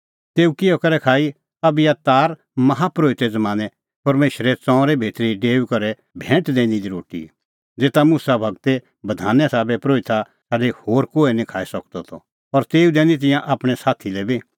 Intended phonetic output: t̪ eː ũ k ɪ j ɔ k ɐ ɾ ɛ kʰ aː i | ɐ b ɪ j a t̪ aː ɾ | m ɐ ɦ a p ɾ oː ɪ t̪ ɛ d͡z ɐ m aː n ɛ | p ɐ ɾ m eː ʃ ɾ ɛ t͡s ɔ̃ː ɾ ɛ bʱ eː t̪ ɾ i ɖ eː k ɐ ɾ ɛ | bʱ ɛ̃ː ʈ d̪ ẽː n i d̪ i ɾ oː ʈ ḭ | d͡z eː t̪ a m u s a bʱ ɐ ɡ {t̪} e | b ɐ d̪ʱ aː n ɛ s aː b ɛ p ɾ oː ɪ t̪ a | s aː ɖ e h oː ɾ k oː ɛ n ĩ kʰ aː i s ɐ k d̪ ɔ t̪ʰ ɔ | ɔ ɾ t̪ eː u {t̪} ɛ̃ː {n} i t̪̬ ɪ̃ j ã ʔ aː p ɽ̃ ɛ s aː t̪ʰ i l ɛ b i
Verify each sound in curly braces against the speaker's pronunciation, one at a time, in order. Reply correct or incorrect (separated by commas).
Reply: correct, incorrect, correct